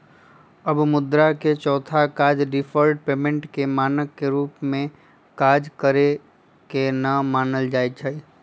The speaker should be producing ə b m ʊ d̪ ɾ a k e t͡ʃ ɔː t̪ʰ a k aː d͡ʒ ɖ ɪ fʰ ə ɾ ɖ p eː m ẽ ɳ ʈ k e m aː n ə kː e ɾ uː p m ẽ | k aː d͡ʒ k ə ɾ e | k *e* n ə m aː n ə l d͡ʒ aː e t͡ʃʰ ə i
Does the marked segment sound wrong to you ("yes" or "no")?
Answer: no